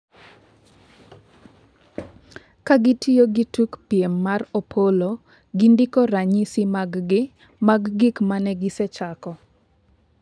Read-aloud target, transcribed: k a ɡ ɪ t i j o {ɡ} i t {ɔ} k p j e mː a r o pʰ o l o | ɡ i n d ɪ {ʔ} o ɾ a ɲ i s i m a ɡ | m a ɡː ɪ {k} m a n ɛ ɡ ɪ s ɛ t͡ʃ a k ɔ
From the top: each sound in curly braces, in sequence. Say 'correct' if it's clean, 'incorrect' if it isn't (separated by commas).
correct, incorrect, incorrect, correct